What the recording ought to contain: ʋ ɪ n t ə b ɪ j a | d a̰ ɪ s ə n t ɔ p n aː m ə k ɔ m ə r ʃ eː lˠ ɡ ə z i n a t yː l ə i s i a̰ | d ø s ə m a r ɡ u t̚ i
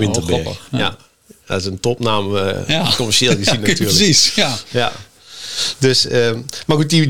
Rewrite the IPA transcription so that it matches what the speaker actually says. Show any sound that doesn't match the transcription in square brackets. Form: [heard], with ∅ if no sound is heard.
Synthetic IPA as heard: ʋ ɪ n t ə b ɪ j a | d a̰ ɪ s ə n t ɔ p n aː m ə k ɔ m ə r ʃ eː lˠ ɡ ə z i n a t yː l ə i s [j] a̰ | d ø s ə m a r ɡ u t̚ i